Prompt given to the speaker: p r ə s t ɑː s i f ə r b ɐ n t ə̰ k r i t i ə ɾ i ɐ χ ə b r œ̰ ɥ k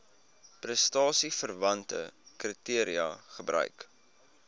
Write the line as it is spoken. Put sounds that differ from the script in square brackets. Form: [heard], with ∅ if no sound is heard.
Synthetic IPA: p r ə s t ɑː s i f ə r [v] ɐ n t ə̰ k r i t i ə ɾ i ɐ χ ə b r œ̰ ɥ k